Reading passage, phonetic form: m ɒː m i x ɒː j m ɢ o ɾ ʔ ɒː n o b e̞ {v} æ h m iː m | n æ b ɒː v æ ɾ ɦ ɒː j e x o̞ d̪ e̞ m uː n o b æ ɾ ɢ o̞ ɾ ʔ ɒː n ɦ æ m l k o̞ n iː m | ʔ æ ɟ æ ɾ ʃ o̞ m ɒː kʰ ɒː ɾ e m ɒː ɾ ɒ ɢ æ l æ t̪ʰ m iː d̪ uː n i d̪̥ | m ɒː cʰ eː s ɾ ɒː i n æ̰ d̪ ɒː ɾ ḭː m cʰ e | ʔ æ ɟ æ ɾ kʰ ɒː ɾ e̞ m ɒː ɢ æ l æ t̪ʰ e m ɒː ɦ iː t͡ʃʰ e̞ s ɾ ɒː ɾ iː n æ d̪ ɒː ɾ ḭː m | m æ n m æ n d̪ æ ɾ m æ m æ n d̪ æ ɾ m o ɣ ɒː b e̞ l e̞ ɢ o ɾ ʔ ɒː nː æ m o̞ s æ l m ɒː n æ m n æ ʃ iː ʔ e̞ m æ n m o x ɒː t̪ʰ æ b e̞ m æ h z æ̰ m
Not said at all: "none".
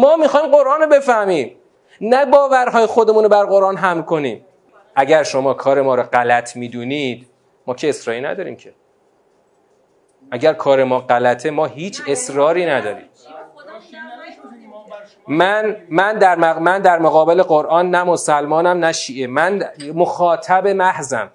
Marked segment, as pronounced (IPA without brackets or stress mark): f